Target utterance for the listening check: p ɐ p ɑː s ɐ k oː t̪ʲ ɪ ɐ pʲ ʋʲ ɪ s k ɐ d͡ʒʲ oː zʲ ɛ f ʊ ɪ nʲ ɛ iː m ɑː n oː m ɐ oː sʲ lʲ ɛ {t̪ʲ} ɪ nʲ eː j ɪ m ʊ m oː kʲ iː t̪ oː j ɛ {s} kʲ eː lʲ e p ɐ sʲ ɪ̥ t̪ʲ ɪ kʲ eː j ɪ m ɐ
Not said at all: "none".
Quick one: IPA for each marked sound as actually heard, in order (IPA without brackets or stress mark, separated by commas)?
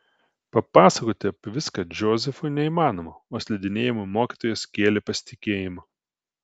d̪ʲ, s